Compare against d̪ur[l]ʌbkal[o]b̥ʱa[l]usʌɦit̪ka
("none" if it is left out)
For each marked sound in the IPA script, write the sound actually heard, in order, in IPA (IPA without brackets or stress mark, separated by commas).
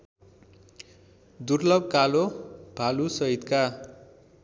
l, o, l